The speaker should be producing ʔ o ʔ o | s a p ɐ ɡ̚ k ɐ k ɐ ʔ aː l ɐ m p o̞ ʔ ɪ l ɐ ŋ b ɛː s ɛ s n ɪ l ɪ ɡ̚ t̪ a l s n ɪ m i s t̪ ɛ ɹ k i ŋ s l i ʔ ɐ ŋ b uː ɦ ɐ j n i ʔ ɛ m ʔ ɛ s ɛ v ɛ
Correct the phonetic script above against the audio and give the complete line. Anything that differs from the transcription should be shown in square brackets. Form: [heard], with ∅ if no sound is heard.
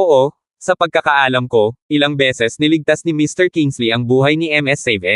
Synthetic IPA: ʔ o ʔ o | s [ɐ] p ɐ ɡ̚ k ɐ k ɐ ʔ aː l ɐ m [k] o̞ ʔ ɪ l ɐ ŋ b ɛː s ɛ s n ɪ l ɪ ɡ̚ t̪ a [∅] s n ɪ m i s t̪ ɛ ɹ k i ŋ s l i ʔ ɐ ŋ b uː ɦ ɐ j n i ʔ ɛ m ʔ ɛ s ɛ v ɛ